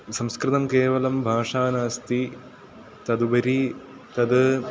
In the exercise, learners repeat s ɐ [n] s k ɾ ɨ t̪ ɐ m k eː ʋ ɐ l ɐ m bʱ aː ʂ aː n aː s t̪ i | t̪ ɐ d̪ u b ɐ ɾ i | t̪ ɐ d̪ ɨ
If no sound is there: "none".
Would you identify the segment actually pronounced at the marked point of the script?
m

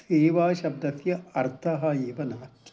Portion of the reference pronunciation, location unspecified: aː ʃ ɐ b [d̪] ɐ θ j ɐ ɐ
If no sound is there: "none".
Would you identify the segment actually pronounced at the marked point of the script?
d̪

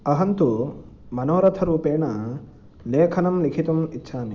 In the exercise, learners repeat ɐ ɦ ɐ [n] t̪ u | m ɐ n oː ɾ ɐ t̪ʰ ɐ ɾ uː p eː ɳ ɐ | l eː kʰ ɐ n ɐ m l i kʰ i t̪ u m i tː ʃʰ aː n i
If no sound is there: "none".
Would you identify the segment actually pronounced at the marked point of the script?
n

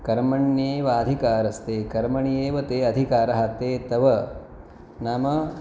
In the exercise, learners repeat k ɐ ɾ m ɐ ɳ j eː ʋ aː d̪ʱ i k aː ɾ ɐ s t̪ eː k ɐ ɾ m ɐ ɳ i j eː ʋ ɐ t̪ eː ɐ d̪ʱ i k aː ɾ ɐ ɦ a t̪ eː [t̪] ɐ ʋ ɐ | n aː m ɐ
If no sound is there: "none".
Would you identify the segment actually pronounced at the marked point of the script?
t̪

